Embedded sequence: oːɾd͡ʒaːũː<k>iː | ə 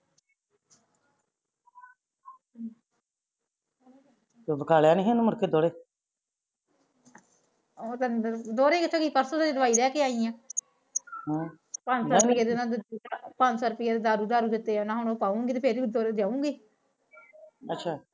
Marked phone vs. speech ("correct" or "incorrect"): incorrect